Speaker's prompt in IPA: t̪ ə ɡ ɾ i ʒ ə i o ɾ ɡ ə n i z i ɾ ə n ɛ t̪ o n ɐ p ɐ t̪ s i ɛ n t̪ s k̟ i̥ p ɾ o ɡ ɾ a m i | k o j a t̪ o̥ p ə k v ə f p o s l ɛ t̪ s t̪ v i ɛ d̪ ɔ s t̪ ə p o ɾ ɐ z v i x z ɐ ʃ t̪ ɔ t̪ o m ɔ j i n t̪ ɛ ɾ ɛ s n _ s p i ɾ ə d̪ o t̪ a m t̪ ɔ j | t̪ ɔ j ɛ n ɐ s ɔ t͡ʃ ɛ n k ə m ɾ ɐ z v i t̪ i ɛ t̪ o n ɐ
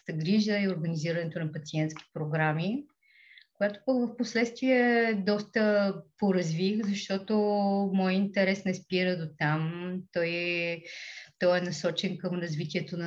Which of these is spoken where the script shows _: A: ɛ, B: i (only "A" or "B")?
A